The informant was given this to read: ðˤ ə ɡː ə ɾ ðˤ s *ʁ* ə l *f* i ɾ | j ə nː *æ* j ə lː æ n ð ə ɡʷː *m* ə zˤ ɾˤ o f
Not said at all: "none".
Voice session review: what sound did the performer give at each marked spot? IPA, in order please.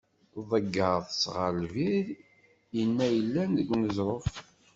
ʁ, v, æ, n

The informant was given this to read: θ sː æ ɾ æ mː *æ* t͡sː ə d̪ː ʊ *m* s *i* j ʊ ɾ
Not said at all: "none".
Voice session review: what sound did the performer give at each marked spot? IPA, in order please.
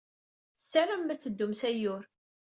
æ, m, æ

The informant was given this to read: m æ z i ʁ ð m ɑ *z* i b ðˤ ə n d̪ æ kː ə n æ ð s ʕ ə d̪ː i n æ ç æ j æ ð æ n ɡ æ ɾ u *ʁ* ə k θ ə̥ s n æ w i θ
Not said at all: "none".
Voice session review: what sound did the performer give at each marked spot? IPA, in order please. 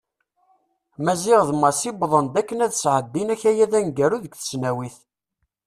s, ð

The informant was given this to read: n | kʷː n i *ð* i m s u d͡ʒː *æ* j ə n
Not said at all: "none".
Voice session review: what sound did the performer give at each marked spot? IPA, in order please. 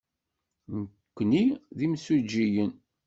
ð, i

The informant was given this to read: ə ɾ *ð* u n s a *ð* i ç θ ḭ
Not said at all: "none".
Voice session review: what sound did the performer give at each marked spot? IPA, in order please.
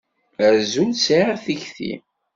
z, θ

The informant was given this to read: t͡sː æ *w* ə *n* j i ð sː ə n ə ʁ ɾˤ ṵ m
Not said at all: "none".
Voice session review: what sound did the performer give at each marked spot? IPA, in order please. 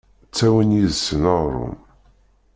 w, n

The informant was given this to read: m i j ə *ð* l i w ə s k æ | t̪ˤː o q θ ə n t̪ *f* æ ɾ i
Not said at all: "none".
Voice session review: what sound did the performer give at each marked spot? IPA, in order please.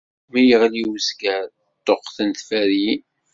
ʁ, f

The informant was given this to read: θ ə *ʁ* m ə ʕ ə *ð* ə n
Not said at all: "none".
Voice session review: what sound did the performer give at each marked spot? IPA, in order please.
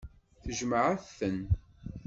ʒ, θ

